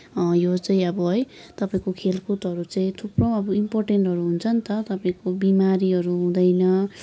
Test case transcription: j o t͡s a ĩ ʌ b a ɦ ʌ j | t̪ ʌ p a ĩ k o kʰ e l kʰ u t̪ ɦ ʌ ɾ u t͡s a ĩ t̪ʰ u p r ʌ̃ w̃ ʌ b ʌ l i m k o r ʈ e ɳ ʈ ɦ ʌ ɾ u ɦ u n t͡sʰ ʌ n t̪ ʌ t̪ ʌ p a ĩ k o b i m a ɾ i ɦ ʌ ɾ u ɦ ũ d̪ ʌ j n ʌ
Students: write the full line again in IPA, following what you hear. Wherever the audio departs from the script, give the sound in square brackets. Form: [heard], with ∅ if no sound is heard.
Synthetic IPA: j o t͡s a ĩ ʌ b [ʌ] ɦ ʌ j | t̪ ʌ p a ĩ k o kʰ e l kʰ u t̪ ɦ ʌ ɾ u t͡s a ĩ t̪ʰ u p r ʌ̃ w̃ ʌ b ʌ [∅] i m [p] o r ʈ e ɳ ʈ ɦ ʌ ɾ u ɦ u n t͡sʰ ʌ n t̪ ʌ t̪ ʌ p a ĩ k o b i m a ɾ i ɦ ʌ ɾ u ɦ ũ d̪ ʌ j n ʌ